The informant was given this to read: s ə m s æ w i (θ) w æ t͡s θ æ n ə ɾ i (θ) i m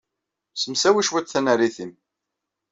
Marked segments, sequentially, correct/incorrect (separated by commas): incorrect, correct